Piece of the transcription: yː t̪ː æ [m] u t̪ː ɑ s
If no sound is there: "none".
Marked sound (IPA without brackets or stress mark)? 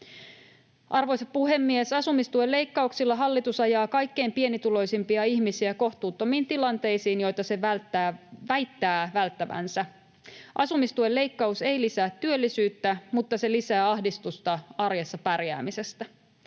m